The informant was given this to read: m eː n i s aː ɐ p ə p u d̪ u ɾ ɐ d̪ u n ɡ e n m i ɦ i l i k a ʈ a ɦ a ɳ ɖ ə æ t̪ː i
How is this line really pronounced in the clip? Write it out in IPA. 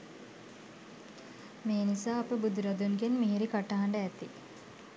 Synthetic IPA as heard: m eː n i s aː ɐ p ə b u d̪ u ɾ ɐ d̪ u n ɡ e n m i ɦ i ɾ i k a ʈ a ɦ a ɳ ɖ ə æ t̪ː i